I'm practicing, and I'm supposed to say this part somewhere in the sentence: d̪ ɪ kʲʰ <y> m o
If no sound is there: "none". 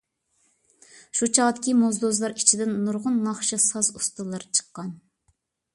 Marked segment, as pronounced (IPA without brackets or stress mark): i